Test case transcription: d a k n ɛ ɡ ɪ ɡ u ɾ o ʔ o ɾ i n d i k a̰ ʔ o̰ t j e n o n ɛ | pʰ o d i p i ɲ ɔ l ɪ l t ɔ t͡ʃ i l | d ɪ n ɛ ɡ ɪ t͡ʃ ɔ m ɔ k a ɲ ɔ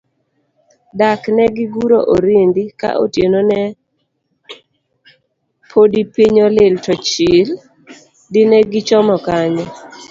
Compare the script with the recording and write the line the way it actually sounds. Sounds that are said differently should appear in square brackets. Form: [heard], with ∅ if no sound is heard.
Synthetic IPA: d a k n ɛ ɡ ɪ ɡ u ɾ o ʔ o ɾ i n d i k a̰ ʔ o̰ t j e n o n ɛ | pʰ o d i p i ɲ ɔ l ɪ l t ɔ t͡ʃ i l | d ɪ n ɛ ɡ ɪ t͡ʃ ɔ m ɔ k a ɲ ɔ